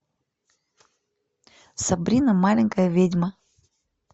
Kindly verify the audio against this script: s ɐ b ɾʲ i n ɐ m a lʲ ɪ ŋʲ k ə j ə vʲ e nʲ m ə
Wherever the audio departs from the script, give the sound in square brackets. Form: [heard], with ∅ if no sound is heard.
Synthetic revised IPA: s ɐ b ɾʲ i n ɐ m a lʲ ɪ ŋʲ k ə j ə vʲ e [dʲ] m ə